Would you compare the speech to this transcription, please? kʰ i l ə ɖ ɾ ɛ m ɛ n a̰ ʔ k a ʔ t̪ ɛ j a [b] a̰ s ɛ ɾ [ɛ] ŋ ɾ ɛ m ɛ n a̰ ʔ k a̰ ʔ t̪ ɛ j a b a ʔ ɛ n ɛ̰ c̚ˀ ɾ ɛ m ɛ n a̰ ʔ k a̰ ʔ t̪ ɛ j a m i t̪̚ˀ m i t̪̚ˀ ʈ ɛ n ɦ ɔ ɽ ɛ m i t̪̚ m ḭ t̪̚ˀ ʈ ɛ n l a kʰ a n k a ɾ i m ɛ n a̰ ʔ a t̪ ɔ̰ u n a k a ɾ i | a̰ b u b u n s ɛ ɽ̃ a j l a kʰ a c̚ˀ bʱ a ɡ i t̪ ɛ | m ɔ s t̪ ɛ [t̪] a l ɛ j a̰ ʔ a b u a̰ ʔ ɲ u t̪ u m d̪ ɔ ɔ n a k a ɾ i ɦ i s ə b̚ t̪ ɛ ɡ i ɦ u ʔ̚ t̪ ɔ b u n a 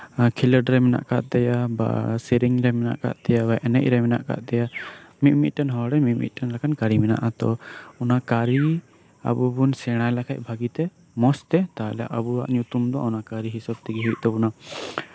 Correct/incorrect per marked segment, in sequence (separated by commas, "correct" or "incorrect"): correct, incorrect, correct